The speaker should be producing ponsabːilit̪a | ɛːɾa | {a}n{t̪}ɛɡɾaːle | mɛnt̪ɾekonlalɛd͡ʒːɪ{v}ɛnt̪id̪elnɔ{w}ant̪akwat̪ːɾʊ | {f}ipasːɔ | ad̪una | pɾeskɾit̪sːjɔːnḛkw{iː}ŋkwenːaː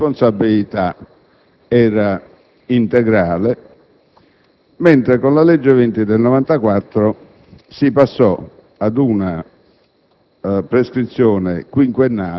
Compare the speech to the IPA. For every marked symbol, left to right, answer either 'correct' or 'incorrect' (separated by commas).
incorrect, correct, correct, incorrect, incorrect, incorrect